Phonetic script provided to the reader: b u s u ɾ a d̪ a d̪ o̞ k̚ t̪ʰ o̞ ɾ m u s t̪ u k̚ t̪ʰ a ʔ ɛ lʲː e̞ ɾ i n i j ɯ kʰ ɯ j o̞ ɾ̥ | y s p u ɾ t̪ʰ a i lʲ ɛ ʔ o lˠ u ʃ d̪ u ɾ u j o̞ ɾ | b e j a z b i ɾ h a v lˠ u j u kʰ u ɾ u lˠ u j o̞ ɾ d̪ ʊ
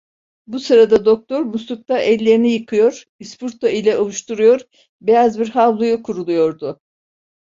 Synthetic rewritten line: b u s ɯ ɾ a d̪ a d̪ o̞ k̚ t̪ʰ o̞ ɾ m u s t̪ u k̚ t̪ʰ a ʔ ɛ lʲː e̞ ɾ i n i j ɯ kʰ ɯ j o̞ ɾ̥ | i s p u ɾ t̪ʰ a i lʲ ɛ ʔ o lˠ u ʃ t̪ u ɾ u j o̞ ɾ | b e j a z b i ɾ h a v lˠ u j u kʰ u ɾ u lˠ u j o̞ ɾ d̪ ʊ